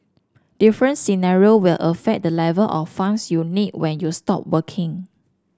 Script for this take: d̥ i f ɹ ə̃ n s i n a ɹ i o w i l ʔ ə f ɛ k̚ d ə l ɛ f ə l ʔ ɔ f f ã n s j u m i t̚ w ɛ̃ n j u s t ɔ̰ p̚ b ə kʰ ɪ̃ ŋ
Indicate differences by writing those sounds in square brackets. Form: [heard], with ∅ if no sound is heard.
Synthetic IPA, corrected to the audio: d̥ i f ɹ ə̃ n s i n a ɹ i o w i l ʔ ə f ɛ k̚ d ə l ɛ [v] ə l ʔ ɔ f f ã n s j u [n] i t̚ w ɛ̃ n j u s t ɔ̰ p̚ [w] ə kʰ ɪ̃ ŋ